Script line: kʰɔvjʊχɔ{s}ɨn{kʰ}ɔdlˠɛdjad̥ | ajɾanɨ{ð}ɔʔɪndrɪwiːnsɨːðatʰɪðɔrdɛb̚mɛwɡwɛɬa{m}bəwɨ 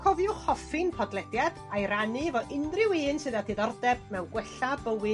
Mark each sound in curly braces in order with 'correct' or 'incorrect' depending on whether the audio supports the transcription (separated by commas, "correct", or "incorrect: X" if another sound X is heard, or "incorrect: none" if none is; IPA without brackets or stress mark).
incorrect: f, incorrect: pʰ, incorrect: v, incorrect: none